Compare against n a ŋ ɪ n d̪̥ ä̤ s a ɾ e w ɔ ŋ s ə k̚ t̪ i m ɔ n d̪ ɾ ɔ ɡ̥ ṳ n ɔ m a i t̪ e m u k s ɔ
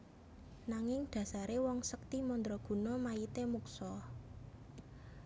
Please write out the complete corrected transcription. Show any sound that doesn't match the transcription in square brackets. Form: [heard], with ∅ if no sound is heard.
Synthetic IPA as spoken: n a ŋ ɪ [ŋ] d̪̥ ä̤ s a ɾ e w ɔ ŋ s ə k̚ t̪ i m ɔ n d̪ ɾ ɔ ɡ̥ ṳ n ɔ m a i t̪ e m u k s ɔ